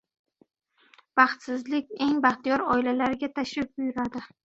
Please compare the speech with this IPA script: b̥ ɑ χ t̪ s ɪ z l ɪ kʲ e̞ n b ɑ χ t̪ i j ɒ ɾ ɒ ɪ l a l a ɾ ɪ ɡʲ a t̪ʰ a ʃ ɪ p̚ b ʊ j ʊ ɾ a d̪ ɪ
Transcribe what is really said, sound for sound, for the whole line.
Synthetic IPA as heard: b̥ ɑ χ t̪ s ɪ z l ɪ kʲ e̞ ŋ b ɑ χ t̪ i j ɒ ɾ ɒ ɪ l a l a ɾ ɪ ɡʲ a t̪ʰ a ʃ ɪ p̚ b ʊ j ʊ ɾ a d̪ ɪ